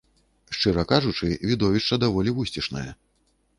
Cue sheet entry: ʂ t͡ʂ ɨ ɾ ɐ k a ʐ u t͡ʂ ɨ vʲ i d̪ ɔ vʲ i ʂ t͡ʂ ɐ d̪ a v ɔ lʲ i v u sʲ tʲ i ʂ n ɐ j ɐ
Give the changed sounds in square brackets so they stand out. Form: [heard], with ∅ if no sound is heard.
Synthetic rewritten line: ʂ t͡ʂ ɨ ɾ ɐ k a ʐ u t͡ʂ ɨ vʲ i d̪ ɔ vʲ i ʂ t͡ʂ ɐ d̪ a v ɔ lʲ i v u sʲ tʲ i ʂ n ɐ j ɐ